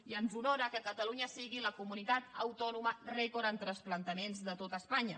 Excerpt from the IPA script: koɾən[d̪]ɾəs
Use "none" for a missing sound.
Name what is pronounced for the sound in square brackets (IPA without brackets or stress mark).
t̪